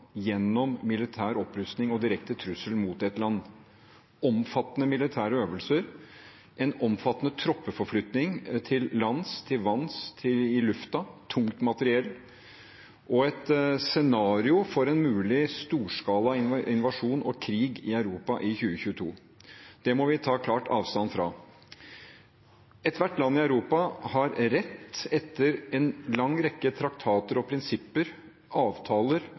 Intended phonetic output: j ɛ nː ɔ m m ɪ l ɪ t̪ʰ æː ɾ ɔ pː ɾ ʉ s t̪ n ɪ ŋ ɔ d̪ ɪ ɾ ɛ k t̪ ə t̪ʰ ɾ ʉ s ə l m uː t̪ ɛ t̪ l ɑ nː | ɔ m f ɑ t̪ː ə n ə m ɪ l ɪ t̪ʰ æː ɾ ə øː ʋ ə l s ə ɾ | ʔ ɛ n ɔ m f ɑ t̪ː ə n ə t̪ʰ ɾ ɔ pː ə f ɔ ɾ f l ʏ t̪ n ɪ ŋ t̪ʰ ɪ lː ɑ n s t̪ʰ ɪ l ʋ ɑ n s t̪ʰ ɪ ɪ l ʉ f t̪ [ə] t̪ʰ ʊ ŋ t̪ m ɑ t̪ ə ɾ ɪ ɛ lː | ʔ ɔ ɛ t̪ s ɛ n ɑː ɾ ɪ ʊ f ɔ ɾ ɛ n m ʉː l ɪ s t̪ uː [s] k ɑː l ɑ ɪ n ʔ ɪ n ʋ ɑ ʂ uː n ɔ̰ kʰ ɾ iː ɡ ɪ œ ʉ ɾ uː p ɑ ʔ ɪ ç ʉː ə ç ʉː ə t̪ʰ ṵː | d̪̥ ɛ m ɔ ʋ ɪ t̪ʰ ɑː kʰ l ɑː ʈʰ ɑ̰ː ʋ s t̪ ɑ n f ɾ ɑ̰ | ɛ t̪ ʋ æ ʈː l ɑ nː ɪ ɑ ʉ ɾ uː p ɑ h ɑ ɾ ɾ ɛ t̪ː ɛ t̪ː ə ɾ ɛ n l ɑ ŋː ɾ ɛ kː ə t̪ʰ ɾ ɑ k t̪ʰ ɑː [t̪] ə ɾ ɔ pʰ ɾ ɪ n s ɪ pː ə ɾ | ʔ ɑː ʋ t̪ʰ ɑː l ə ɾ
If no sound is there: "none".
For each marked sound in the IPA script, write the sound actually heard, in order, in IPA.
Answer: ɑ, ʂ, t̪

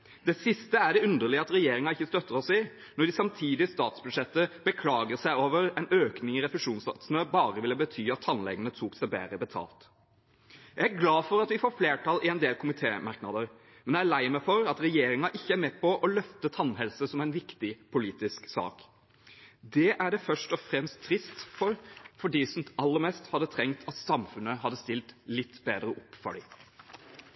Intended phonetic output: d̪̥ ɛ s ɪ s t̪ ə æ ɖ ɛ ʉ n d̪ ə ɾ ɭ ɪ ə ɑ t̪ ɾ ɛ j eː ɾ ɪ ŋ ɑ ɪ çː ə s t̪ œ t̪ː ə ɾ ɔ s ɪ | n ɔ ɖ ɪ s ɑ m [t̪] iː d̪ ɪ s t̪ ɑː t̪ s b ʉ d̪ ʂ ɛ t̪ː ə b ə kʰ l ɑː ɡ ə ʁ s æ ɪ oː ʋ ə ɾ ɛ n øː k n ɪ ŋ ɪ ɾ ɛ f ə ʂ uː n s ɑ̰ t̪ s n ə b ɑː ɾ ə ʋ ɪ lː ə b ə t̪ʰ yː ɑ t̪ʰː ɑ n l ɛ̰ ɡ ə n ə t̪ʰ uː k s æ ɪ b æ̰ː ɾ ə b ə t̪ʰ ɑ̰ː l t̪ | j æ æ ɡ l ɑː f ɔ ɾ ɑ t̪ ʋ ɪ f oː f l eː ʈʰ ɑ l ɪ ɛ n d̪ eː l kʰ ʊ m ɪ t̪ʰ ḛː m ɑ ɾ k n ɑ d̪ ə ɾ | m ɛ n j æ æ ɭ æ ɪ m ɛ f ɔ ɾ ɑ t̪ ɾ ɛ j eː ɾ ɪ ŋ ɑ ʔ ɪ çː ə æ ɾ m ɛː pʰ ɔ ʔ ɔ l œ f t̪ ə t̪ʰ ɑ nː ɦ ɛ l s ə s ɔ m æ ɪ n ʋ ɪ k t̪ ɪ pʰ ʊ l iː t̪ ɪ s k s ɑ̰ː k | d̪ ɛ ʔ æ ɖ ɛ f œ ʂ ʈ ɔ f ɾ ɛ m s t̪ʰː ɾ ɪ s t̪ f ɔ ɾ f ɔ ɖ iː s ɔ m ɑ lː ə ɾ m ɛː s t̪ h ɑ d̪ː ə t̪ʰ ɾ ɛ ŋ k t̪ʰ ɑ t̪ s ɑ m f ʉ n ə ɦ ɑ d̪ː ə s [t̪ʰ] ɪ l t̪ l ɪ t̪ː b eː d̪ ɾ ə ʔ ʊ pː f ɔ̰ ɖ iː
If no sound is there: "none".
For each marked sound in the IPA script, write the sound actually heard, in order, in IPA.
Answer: t̪ʰ, t̪

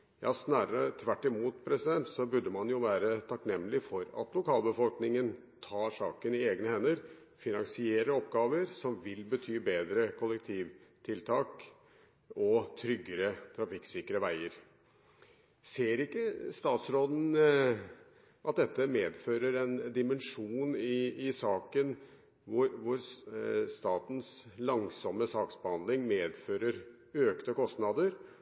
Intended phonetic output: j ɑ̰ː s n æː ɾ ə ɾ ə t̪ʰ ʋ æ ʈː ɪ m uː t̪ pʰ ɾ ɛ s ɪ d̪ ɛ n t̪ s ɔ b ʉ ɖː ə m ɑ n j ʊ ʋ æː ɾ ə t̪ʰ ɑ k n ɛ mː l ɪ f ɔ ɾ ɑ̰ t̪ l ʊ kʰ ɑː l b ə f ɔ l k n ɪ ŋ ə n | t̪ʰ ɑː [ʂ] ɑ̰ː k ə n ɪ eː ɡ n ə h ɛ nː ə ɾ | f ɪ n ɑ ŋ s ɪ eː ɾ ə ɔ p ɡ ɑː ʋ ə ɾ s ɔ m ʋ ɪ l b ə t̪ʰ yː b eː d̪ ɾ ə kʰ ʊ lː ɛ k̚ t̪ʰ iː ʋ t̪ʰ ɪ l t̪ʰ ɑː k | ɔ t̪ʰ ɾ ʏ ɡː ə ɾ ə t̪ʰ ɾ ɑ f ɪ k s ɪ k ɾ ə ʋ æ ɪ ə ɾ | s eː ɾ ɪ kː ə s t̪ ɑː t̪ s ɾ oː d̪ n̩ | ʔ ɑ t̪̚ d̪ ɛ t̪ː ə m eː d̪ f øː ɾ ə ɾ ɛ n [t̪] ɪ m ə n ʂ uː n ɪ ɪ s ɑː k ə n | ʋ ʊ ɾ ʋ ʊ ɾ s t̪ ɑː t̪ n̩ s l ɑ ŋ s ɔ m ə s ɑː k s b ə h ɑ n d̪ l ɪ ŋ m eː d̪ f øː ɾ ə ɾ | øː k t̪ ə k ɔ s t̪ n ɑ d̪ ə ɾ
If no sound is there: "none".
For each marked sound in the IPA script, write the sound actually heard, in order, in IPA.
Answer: ʂ, d̪

